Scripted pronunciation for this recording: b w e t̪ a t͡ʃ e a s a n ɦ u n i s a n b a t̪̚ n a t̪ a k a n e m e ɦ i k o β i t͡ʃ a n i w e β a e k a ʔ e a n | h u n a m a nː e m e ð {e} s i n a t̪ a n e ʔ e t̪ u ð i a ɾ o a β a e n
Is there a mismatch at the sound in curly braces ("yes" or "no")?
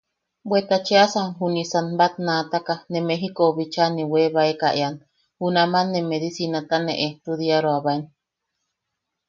yes